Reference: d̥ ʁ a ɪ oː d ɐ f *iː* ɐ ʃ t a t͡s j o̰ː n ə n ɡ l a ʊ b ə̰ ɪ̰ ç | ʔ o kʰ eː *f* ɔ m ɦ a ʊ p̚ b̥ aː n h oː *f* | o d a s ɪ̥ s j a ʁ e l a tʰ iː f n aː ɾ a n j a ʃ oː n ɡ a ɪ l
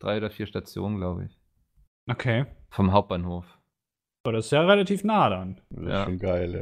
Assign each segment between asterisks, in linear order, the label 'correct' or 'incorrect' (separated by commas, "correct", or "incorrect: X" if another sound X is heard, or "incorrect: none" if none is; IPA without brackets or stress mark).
correct, correct, correct